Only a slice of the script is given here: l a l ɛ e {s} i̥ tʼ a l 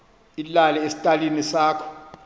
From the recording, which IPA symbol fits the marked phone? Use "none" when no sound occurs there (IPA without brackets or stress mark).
s